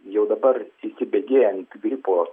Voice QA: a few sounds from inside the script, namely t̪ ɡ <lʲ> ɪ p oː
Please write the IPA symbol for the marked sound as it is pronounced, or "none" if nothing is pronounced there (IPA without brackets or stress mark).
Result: ɾʲ